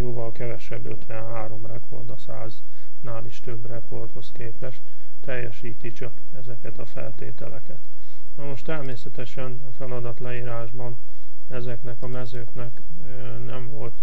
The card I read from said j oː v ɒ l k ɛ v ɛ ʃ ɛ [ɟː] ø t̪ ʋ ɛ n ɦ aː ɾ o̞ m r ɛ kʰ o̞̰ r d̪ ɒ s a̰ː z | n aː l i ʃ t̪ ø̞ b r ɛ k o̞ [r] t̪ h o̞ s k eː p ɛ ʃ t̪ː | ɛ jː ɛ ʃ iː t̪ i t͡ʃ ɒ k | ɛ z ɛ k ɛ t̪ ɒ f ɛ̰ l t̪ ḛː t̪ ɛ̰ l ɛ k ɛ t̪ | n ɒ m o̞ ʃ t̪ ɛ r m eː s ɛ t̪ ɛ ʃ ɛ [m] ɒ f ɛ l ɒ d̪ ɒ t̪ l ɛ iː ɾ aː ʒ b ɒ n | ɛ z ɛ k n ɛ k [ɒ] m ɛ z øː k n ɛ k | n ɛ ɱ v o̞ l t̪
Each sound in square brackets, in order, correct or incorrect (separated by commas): incorrect, correct, incorrect, correct